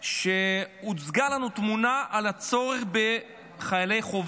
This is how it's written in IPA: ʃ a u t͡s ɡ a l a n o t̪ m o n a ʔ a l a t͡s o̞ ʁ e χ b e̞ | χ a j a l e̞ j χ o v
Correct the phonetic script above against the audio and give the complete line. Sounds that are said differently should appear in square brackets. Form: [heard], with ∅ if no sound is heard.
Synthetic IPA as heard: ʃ [e] u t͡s ɡ a l a n [u] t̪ m [u] n a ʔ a l a t͡s o̞ ʁ e χ b e̞ | χ a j a l e̞ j χ o v